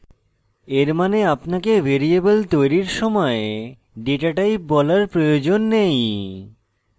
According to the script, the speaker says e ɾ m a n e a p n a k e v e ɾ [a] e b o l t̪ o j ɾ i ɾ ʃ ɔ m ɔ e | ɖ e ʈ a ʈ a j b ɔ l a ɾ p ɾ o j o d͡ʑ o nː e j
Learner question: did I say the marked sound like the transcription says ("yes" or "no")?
no